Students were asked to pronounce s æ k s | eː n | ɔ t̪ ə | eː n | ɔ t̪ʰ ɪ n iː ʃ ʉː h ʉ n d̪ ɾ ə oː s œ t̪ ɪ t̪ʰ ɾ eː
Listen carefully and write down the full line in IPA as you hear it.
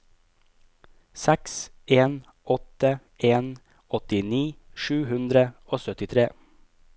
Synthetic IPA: s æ k s | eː n | ɔ t̪ ə | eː n | ɔ t̪ ɪ n iː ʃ ʉː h ʉ n d̪ ɾ ə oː s œ t̪ ɪ t̪ʰ ɾ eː